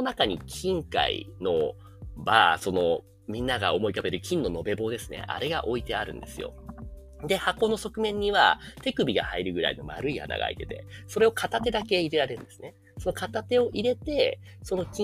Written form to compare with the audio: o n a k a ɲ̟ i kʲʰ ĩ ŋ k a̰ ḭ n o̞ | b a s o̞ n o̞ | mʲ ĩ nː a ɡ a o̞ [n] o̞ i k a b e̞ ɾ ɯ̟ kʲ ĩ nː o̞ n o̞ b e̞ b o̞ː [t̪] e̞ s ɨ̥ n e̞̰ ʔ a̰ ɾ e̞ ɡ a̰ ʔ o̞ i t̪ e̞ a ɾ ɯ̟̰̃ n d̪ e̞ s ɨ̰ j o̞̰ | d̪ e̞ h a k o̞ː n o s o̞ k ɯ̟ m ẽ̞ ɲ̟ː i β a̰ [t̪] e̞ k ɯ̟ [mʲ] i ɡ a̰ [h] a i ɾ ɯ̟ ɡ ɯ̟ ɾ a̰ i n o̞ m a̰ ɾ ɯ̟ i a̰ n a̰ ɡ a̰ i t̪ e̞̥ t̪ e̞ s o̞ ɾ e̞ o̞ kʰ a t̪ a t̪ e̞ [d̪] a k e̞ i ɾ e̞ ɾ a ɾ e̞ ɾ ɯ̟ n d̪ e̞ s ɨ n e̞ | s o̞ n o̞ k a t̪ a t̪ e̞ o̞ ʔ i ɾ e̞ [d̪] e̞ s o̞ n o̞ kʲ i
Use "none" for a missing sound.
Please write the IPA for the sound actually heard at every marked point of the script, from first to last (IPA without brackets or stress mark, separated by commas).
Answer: m, d̪, t̪, bʲ, h, d̪, t̪